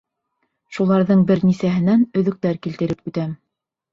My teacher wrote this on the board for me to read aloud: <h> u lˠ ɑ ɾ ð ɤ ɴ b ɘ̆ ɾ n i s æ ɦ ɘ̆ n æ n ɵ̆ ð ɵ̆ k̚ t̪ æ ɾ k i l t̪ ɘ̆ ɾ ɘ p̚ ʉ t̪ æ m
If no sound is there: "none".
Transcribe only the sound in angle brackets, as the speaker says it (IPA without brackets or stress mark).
ʃ